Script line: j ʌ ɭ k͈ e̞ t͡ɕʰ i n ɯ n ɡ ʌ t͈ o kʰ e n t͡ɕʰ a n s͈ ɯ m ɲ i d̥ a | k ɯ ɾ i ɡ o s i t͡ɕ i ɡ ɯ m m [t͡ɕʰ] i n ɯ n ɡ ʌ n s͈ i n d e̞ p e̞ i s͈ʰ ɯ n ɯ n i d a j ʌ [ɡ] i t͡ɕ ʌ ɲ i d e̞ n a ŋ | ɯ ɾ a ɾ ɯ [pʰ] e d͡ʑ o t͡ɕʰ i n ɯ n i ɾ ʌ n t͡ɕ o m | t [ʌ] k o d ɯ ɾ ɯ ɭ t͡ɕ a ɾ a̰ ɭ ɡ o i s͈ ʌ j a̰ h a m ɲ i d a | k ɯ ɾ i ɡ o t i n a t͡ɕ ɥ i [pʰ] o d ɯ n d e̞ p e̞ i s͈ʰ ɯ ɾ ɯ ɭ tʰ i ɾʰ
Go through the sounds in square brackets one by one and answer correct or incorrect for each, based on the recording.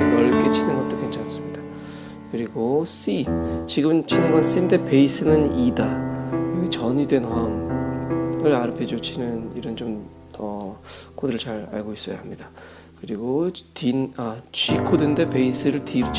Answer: correct, correct, correct, correct, incorrect: kʰ

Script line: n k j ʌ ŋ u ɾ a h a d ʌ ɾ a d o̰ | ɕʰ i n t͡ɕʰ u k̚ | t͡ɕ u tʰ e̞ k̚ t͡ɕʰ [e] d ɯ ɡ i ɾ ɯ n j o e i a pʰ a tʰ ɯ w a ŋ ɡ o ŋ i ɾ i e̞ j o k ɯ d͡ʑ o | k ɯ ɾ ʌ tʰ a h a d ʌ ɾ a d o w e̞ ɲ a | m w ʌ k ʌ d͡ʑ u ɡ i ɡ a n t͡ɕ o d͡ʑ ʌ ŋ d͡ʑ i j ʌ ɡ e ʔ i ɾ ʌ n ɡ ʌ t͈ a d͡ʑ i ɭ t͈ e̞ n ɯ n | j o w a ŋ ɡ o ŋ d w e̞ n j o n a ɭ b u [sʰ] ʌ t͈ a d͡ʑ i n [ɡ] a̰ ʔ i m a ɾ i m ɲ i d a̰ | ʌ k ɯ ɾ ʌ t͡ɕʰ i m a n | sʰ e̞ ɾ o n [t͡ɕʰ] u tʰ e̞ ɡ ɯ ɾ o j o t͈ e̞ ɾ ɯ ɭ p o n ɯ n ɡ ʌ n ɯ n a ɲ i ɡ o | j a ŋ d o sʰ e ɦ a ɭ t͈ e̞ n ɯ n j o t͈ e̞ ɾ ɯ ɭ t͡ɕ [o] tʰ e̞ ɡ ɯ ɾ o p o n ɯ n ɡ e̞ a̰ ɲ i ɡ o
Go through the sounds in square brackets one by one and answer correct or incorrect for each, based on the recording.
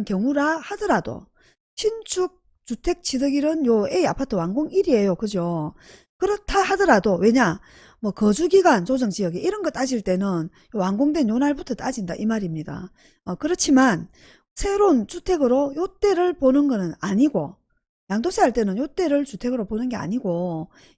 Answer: incorrect: i, incorrect: tʰ, incorrect: d, incorrect: t͡ɕ, incorrect: u

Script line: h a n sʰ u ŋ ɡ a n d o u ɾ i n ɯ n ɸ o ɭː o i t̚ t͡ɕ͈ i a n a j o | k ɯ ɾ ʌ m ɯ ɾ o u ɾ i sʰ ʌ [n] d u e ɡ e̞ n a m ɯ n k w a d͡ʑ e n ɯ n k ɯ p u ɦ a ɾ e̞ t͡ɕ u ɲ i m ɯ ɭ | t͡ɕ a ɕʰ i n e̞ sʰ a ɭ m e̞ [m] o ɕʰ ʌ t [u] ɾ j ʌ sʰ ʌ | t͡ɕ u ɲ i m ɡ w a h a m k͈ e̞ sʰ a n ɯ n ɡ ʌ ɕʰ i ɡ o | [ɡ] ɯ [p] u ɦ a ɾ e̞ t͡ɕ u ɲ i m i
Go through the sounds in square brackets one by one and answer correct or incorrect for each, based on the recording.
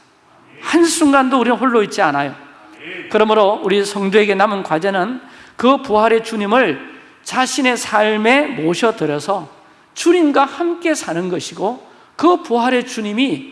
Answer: incorrect: ŋ, correct, incorrect: ɯ, incorrect: k, correct

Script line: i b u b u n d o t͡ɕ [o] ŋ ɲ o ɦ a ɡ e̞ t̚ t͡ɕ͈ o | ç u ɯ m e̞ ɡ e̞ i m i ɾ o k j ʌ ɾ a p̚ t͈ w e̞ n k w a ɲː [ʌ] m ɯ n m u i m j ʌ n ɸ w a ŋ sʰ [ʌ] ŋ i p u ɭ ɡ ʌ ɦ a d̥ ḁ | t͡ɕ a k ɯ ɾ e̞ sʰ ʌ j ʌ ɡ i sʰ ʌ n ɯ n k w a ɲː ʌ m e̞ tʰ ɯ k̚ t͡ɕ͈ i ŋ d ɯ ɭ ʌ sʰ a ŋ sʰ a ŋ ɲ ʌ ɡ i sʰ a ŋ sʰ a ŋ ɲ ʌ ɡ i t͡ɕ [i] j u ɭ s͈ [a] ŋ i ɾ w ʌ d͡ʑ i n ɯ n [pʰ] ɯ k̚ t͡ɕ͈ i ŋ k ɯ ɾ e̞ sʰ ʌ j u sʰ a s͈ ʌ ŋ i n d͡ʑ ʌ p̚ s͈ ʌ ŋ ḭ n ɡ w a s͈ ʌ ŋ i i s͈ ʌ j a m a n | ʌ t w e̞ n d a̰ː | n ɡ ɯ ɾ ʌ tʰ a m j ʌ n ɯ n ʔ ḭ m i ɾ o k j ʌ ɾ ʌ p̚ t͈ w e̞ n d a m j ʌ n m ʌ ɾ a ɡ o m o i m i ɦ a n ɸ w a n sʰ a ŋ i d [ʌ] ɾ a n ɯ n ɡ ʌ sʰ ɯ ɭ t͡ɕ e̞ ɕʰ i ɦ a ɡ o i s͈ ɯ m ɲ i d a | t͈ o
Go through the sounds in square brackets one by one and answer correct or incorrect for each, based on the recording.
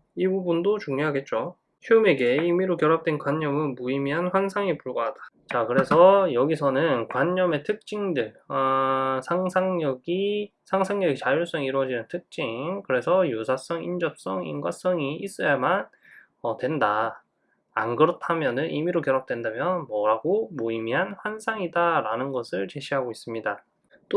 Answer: incorrect: u, correct, incorrect: a, incorrect: a, incorrect: ʌ, incorrect: tʰ, incorrect: a

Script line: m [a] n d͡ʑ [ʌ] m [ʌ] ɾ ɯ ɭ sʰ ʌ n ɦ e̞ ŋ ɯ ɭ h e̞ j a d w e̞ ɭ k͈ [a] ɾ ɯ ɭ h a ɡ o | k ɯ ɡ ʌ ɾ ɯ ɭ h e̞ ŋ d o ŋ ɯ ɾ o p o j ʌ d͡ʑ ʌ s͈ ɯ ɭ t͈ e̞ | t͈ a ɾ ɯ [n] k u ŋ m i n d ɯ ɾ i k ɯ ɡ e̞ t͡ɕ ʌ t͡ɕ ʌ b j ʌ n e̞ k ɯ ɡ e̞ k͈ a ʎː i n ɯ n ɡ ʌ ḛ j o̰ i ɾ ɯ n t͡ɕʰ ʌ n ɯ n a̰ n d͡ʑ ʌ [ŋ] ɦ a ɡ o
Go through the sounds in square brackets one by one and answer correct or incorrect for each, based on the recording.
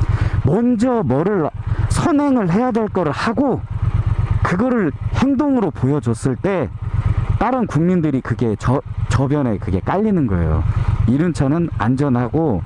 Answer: incorrect: ʌ, correct, correct, incorrect: ʌ, correct, incorrect: n

